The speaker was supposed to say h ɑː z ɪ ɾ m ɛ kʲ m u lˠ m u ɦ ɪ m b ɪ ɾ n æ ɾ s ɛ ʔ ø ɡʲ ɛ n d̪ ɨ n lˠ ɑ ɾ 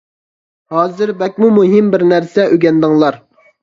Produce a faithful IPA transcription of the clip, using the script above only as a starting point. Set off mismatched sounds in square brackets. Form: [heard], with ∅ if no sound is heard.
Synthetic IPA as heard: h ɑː z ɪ ɾ [b] ɛ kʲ m u [∅] m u ɦ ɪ m b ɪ ɾ n æ ɾ s ɛ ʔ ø ɡʲ ɛ n d̪ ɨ [ŋ] lˠ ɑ ɾ